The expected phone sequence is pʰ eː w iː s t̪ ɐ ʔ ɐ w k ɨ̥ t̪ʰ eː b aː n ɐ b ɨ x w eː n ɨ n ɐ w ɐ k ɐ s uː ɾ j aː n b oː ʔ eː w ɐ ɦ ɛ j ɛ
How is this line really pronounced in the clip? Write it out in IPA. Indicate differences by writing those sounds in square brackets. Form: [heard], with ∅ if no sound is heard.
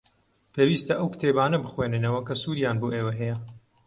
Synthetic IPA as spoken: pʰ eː w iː s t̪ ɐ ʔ ɐ w k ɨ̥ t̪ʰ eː b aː n ɐ b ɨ x w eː n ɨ n ɐ w ɐ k ɐ s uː ɾ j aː n b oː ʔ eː w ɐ ɦ ɛ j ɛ